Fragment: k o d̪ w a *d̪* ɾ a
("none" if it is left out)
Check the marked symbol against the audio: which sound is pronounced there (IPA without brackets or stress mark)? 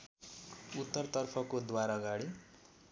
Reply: none